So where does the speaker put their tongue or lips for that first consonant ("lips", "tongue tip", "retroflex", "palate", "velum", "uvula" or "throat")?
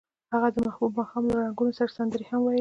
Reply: throat